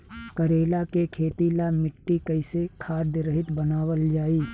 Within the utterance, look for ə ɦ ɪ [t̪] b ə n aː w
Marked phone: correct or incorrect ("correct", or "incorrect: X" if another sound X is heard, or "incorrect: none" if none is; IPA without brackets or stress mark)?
correct